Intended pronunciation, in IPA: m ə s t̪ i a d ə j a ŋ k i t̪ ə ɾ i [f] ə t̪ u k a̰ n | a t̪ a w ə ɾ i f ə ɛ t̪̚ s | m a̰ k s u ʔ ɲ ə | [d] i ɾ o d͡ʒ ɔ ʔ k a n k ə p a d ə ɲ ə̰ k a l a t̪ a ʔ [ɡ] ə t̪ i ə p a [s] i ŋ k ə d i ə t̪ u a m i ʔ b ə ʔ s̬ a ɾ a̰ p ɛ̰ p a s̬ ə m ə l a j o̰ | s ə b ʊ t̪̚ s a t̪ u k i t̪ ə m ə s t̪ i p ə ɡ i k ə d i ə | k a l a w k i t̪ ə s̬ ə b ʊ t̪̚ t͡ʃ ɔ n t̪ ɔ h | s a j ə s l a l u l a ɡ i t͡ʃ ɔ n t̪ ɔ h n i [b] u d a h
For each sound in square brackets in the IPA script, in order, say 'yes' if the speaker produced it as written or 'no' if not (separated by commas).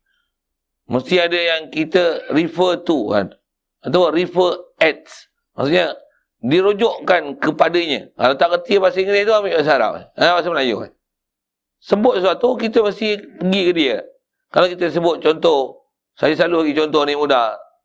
yes, yes, no, yes, no